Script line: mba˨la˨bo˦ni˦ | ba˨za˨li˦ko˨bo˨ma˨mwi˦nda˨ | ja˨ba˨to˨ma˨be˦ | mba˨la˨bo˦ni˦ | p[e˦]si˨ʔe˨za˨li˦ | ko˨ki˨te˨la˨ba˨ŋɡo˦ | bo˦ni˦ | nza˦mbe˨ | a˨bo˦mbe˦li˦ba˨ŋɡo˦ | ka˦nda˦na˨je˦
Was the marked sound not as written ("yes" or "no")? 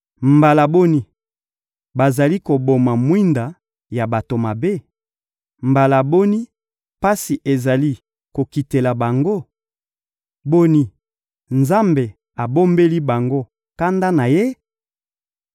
yes